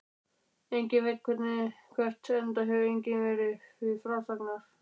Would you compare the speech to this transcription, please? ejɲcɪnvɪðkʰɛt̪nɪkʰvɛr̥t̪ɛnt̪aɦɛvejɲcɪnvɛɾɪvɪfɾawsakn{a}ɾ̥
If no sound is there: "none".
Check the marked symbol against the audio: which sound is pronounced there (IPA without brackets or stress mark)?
a